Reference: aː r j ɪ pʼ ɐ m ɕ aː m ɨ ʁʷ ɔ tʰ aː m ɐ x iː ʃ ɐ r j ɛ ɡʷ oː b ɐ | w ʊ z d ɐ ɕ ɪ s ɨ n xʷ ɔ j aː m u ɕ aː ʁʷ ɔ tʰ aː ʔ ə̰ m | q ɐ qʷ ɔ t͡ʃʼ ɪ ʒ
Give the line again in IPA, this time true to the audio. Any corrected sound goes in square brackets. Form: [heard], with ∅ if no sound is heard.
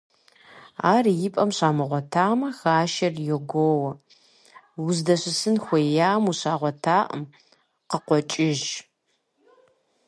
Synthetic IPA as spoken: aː r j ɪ pʼ ɐ m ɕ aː m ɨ ʁʷ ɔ tʰ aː m ɐ x [aː] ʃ ɐ r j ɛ ɡʷ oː [w] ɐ | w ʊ z d ɐ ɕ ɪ s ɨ n xʷ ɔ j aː m u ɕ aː ʁʷ ɔ tʰ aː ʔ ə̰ m | q [ə] qʷ ɔ t͡ʃʼ ɪ ʒ

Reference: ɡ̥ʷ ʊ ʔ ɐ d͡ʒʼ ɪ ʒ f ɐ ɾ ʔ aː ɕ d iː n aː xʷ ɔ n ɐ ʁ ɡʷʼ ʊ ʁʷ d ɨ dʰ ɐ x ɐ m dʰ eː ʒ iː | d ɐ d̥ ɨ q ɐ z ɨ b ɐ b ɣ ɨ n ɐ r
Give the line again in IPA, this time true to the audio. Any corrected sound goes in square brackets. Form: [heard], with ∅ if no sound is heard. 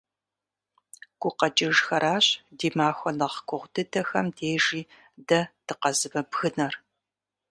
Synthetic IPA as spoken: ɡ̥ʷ ʊ [q] ɐ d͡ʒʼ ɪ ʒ [x] ɐ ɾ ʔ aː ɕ d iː [m] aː xʷ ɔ n ɐ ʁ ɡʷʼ ʊ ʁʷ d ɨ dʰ ɐ x ɐ m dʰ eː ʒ iː | d ɐ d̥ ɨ q ɐ z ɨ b ɐ b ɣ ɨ n ɐ r

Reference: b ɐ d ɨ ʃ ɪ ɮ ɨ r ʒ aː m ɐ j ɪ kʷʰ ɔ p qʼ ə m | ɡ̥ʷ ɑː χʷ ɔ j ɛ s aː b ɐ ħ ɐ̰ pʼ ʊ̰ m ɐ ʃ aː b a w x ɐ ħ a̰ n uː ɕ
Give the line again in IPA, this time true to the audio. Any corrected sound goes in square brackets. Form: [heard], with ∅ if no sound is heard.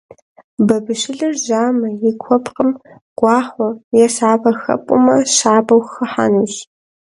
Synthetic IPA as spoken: b ɐ [b] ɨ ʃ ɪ ɮ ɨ r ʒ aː m ɐ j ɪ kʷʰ ɔ p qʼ ə m | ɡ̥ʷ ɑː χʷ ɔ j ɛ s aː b ɐ [x] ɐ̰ pʼ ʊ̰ m ɐ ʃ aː b [ɐ] w x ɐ ħ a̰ n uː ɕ

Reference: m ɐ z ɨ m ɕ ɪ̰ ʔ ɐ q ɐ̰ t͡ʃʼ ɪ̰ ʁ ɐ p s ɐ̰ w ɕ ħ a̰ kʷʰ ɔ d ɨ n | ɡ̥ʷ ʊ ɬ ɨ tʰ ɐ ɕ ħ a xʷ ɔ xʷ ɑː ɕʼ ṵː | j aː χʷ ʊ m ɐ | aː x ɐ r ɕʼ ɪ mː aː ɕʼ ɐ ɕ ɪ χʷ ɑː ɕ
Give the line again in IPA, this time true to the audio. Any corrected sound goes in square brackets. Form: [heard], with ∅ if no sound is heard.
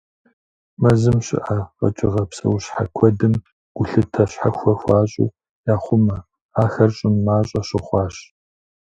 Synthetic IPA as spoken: m ɐ z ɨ m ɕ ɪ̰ ʔ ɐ q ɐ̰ t͡ʃʼ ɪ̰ ʁ ɐ p s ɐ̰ w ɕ ħ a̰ kʷʰ ɔ d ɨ [m] | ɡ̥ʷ ʊ ɬ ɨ tʰ ɐ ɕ ħ a xʷ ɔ xʷ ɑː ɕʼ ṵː | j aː χʷ ʊ m ɐ | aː x ɐ r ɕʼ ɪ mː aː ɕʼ ɐ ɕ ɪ χʷ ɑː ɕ

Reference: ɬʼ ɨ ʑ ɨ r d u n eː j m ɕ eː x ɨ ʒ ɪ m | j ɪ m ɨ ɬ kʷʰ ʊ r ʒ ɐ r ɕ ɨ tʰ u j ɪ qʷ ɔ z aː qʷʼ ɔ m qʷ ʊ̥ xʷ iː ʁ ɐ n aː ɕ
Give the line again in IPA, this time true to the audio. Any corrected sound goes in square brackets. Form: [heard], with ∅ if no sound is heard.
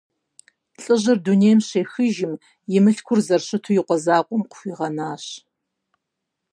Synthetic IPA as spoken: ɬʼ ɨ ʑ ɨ r d u n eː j m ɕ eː x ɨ ʒ ɪ m | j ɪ m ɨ ɬ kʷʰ ʊ r [z] ɐ r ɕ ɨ tʰ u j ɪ qʷ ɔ z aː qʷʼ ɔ m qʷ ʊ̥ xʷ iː ʁ ɐ n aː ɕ

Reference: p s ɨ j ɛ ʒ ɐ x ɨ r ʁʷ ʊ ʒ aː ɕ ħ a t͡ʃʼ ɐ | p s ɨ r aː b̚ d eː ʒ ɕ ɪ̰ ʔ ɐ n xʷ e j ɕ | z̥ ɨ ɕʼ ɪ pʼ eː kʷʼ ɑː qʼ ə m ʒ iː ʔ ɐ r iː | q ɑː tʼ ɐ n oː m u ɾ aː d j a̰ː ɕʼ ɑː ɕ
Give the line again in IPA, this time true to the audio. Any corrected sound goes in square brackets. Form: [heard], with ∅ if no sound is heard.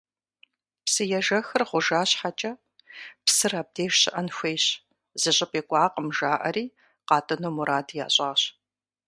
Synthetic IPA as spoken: p s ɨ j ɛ ʒ ɐ x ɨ r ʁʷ ʊ ʒ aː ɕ ħ a t͡ʃʼ ɐ | p s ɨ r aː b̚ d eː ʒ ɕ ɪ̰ ʔ ɐ n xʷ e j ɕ | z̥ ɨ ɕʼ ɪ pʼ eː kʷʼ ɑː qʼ ə m ʒ [aː] ʔ ɐ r iː | q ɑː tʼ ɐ n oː m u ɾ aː d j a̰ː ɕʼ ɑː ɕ

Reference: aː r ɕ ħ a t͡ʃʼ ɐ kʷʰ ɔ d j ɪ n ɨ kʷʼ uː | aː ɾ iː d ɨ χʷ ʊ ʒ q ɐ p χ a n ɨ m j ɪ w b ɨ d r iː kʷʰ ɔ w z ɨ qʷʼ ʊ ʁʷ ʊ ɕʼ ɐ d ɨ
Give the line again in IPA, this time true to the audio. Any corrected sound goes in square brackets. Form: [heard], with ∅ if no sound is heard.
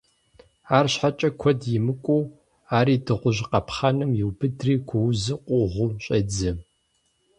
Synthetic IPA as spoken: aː r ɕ ħ a t͡ʃʼ ɐ kʷʰ ɔ d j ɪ [m] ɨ kʷʼ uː | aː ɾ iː d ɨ [ʁʷ] ʊ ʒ q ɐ p χ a n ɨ m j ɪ w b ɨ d r iː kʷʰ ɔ w z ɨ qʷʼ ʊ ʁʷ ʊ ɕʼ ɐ [d͡z] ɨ

